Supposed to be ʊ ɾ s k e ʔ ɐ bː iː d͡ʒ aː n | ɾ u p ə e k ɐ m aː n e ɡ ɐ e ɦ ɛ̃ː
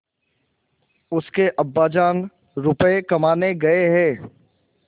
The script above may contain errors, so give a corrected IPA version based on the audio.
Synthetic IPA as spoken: ʊ s k e ʔ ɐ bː aː d͡ʒ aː n | ɾ ʊ p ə e k ɐ m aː n e ɡ ɐ e ɦ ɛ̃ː